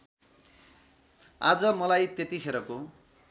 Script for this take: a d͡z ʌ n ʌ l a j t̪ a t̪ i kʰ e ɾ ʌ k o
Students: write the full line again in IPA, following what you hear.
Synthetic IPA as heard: a d͡z ʌ m ʌ l a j t̪ e t̪ i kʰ e ɾ ʌ k o